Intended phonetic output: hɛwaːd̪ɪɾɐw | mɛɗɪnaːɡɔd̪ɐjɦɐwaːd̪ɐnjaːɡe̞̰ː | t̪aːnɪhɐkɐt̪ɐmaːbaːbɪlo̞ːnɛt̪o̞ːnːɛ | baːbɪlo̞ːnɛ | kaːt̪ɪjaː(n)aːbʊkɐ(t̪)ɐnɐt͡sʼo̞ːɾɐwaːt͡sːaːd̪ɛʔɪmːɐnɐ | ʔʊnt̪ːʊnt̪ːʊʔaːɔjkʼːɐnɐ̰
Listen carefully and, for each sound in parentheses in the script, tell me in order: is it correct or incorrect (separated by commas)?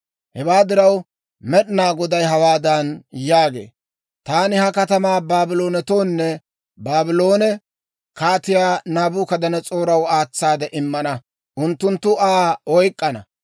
correct, incorrect